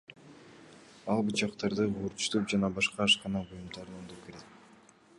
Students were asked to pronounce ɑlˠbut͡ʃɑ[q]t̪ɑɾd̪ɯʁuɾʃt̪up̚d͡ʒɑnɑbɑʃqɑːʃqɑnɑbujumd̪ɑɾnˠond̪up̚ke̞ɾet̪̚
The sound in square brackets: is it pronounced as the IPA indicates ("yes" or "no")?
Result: yes